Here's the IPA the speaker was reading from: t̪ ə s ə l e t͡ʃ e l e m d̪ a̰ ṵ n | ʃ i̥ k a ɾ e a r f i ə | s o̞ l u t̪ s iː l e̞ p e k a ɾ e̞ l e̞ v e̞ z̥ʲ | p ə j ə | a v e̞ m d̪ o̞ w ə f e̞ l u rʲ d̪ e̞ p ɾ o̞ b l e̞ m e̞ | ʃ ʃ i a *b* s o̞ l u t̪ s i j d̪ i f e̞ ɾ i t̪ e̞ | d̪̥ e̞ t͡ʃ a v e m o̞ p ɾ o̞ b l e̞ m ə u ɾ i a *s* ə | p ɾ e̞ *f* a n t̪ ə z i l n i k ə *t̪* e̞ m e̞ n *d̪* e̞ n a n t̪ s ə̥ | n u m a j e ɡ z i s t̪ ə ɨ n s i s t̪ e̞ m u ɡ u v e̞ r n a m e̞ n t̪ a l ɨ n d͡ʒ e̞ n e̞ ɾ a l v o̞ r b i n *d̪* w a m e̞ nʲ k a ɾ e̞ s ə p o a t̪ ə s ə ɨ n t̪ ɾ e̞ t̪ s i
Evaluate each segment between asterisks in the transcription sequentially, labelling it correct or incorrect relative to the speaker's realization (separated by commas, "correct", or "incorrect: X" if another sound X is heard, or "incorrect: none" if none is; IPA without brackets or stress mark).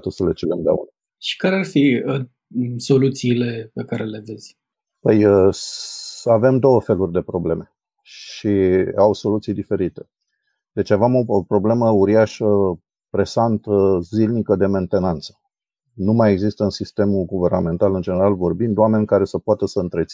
incorrect: w, incorrect: ʃ, incorrect: s, incorrect: d̪, incorrect: t̪, correct